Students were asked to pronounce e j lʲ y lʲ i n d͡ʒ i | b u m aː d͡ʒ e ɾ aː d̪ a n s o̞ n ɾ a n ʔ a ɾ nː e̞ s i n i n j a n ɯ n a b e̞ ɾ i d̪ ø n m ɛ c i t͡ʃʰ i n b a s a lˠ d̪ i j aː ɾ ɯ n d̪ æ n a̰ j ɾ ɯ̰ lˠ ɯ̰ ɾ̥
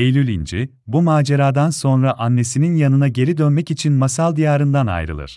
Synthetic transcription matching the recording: e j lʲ y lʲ i n d͡ʒ i | b u m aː d͡ʒ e ɾ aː d̪ a n s o̞ n ɾ a ʔ a nː e̞ s i n i n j a n ɯ n a ɟ e̞ ɾ i d̪ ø n m ɛ c i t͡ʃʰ i n m a s a lˠ d̪ i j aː ɾ ɯ n d̪ a n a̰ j ɾ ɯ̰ lˠ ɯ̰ ɾ̥